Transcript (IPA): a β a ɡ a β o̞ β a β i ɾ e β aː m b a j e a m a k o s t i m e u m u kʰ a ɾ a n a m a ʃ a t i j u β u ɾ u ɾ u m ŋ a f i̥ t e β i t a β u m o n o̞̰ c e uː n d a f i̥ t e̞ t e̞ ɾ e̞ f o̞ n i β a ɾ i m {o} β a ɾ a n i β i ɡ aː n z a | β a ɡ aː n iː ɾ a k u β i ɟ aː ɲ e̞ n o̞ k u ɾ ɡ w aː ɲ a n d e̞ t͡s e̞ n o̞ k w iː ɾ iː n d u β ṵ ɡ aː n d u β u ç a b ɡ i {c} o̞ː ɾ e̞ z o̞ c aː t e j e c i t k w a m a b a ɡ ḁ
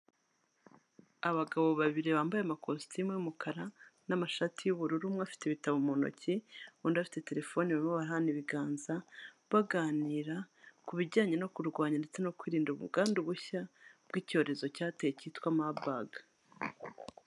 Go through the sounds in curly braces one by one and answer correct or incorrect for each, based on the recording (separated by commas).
correct, correct